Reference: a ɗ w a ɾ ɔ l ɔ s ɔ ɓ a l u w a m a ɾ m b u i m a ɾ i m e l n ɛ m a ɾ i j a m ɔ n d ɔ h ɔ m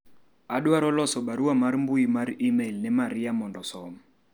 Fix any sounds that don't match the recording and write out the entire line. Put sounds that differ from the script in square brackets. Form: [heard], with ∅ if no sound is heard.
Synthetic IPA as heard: a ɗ w a ɾ ɔ l ɔ s ɔ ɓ a [ɾ] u w a m a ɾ m b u i m a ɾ i m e l n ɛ m a ɾ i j a m ɔ n d ɔ [s] ɔ m

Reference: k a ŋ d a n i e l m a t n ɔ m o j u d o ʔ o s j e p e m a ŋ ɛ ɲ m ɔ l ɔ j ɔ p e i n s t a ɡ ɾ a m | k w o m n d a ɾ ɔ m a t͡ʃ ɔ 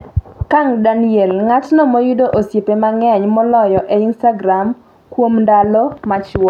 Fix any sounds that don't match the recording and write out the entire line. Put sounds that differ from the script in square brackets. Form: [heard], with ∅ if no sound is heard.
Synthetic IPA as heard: k a ŋ d a n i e l [ŋ] a t n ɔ m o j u d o ʔ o s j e p e m a ŋ ɛ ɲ m ɔ l ɔ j ɔ [ʔ] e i n s t a ɡ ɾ a m | k w o m n d a [l] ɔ m a t͡ʃ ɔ

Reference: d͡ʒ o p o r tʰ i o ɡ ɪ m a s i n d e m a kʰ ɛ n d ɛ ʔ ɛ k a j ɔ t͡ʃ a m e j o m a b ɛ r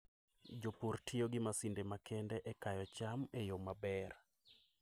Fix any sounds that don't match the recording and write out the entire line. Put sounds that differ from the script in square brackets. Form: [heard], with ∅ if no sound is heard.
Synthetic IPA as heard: d͡ʒ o p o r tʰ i o ɡ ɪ m a s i n d e m a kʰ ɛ n d ɛ ʔ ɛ k a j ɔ t͡ʃ a m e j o m a b ɛ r

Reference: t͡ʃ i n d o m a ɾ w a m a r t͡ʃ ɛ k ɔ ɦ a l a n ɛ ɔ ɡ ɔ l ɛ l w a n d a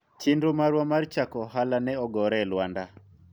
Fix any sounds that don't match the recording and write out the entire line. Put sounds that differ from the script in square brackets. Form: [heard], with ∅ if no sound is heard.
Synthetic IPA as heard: t͡ʃ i n d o m a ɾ w a m a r t͡ʃ [a] k ɔ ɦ a l a n ɛ ɔ ɡ ɔ [ɾ] ɛ l w a n d a

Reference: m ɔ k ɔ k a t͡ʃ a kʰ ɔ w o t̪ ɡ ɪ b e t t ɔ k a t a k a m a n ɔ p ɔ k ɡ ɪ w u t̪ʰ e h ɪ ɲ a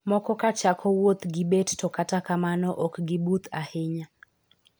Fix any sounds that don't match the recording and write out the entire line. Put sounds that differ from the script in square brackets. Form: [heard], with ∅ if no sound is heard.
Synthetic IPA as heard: m ɔ k ɔ k a t͡ʃ a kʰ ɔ w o t̪ ɡ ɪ b e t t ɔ k a t a k a m a n ɔ [ʔ] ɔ k ɡ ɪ [b] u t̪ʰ [a] h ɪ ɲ a

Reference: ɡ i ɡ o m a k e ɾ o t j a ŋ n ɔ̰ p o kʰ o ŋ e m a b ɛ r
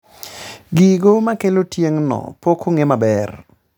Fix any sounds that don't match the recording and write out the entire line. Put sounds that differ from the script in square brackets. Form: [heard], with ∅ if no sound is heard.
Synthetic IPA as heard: ɡ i ɡ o m a k e [l] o t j [e] ŋ n ɔ̰ p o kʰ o ŋ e m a b ɛ r

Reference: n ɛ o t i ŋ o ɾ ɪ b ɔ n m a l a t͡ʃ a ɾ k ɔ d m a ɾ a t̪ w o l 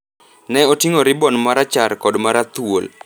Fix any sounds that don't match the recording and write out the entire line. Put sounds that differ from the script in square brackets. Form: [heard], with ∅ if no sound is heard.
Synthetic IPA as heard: n ɛ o t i ŋ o ɾ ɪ b ɔ n m a [ɾ] a t͡ʃ a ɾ k ɔ d m a ɾ a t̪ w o l

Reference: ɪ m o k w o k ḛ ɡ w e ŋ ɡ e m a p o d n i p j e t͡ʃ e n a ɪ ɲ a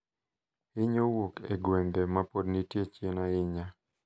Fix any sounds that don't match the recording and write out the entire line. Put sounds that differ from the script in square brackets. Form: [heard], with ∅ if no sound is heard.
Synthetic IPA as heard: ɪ [ɲ] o [∅] w o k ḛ ɡ w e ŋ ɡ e m a p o d n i [t] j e t͡ʃ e n a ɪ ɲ a

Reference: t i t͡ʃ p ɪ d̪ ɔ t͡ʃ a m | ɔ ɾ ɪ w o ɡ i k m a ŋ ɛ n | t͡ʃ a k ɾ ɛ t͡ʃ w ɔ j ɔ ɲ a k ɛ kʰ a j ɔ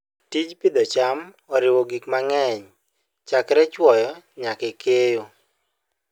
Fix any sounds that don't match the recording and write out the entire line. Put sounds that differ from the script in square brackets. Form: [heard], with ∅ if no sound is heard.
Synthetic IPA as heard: t i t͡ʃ p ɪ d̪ ɔ t͡ʃ a m | ɔ ɾ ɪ w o ɡ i k m a ŋ ɛ [ɲ] | t͡ʃ a k ɾ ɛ t͡ʃ w ɔ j ɔ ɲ a k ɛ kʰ [e] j [o]

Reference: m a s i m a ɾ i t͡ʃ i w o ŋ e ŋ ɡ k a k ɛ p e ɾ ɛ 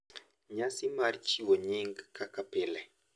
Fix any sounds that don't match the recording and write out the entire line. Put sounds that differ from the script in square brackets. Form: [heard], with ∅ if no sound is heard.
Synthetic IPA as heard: [ɲ] a s i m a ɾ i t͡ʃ i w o [ɲ] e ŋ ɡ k a k [a] p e [l] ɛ

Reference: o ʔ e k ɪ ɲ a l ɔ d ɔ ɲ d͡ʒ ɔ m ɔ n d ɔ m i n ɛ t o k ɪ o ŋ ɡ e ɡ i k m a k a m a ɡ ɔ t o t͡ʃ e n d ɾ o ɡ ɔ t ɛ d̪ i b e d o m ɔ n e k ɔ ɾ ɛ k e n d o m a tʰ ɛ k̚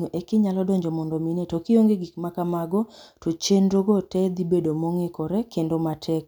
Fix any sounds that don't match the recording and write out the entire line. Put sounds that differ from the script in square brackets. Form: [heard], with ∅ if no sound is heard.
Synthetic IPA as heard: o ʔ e k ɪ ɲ a l ɔ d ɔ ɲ d͡ʒ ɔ m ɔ n d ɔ m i n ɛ t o k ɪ o ŋ ɡ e ɡ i k m a k a m a ɡ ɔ t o t͡ʃ e n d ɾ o ɡ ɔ t ɛ d̪ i b e d o m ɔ [ŋ] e k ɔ ɾ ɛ k e n d o m a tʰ ɛ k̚

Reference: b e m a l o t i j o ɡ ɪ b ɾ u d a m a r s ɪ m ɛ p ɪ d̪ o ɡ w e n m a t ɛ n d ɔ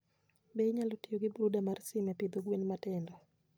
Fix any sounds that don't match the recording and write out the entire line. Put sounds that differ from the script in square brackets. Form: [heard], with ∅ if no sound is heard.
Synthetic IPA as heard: b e [ɲ] a l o t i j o ɡ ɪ b ɾ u d a m a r s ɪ m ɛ p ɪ d̪ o ɡ w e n m a t ɛ n d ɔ

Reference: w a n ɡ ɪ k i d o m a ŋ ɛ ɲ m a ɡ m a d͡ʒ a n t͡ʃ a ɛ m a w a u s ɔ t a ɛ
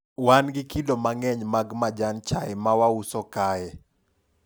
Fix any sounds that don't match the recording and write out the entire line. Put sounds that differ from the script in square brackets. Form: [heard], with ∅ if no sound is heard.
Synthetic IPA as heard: w a n ɡ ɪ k i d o m a ŋ ɛ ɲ m a ɡ m a d͡ʒ a n t͡ʃ a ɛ m a w a u s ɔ [k] a ɛ

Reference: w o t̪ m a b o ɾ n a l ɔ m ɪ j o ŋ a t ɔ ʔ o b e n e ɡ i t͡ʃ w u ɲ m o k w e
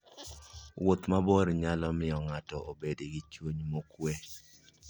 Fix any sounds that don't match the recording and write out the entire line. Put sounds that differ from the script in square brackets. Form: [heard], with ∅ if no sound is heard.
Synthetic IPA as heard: w o t̪ m a b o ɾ [ɲ] a l ɔ m ɪ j [ɔ] ŋ a t ɔ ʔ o b e [d] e ɡ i t͡ʃ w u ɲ m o k w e

